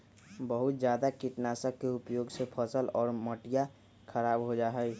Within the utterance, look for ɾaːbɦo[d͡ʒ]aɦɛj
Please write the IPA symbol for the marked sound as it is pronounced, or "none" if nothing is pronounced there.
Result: d͡ʒ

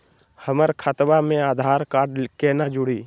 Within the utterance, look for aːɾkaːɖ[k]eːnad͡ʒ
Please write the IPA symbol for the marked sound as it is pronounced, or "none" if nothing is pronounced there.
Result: k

